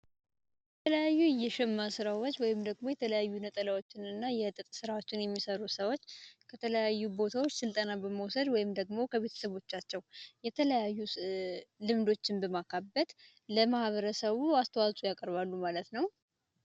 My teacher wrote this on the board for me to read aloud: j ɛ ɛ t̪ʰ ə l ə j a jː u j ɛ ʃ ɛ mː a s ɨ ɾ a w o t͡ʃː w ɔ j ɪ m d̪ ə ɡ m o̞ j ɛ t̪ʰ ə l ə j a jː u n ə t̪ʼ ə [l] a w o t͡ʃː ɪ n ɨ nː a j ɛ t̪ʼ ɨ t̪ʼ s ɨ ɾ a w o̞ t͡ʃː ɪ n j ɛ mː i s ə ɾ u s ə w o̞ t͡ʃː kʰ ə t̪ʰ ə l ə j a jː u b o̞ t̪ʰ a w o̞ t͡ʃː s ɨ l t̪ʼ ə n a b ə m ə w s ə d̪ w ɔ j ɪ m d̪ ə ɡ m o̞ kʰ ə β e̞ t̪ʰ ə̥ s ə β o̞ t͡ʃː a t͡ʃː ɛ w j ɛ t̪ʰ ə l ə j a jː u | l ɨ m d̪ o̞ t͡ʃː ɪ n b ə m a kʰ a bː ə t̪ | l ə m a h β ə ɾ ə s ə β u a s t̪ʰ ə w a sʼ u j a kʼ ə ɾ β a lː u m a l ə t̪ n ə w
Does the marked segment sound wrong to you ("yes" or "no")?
no